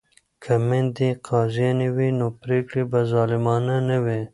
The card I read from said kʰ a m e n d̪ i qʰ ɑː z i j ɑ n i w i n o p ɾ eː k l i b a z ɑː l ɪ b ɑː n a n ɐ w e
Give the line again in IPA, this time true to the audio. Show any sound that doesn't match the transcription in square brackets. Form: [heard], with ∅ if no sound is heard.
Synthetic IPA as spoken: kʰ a m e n d̪ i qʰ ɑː z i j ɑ n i w i n o p ɾ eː k [ɽ] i b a z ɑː l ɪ [m] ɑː n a n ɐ w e

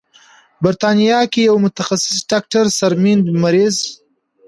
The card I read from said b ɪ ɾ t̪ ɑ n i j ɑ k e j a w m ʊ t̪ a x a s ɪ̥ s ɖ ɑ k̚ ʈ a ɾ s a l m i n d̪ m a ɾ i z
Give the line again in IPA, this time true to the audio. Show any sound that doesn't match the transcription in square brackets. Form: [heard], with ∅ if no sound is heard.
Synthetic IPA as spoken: b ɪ ɾ t̪ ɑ n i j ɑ k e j a w m ʊ t̪ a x a s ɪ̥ s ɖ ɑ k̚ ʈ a ɾ s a [ɾ] m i n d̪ m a ɾ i z

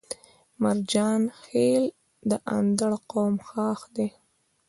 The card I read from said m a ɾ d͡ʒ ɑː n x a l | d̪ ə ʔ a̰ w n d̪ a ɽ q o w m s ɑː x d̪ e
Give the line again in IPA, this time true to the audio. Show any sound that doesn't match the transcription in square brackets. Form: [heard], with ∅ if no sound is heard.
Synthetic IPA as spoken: m a ɾ d͡ʒ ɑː n x [e] l | d̪ ə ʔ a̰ [∅] n d̪ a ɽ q o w m [x] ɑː x d̪ e

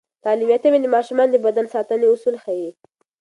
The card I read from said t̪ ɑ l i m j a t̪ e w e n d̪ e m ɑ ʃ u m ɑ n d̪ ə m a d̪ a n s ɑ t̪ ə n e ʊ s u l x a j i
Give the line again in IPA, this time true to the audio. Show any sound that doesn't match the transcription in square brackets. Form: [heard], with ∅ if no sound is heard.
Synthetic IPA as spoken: t̪ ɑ l i m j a t̪ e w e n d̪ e m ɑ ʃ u m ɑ n d̪ ə [b] a d̪ a n s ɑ t̪ ə n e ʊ s u l x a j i

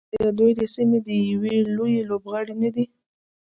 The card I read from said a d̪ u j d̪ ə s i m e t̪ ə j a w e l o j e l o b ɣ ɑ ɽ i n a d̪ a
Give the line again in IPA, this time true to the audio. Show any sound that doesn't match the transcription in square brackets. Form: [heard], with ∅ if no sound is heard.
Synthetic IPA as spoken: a d̪ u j d̪ ə s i m e [d̪] ə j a w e l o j e l o b ɣ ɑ ɽ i n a d̪ [i]

